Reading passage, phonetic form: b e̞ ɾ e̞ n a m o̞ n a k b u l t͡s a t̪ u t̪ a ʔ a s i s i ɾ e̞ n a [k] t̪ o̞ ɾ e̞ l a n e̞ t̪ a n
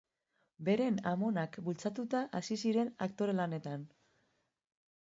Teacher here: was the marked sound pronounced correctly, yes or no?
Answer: yes